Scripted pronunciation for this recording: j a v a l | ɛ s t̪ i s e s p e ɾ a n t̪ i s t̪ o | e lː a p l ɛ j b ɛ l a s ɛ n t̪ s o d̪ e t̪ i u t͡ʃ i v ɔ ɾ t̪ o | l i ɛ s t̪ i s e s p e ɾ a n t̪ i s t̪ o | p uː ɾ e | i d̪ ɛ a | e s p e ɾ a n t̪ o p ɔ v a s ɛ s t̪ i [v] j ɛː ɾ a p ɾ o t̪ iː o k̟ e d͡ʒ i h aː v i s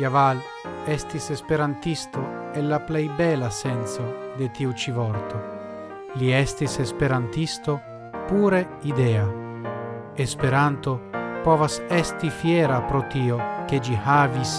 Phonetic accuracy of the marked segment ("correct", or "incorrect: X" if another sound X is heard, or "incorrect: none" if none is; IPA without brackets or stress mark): incorrect: f